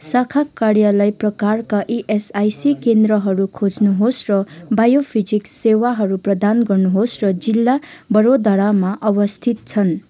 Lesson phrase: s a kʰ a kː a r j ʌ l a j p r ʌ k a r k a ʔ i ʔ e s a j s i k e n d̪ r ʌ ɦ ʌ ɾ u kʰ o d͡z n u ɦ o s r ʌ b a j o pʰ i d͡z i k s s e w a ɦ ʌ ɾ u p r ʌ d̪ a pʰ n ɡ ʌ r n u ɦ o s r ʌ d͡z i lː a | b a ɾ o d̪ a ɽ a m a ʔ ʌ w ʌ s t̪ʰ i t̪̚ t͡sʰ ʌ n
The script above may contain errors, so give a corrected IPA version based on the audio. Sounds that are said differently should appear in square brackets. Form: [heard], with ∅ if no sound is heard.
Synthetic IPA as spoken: s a kʰ a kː a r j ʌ l a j p r ʌ k a r k a ʔ i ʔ e s a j s i k e n d̪ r ʌ ɦ ʌ ɾ u kʰ o d͡z n u ɦ o s r ʌ b a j o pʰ i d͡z i k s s e w a ɦ ʌ ɾ u p r ʌ d̪ a [∅] n ɡ ʌ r n u ɦ o s r ʌ d͡z i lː a | b [ʌ] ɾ o d̪ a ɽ a m a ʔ ʌ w ʌ s t̪ʰ i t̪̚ t͡sʰ ʌ n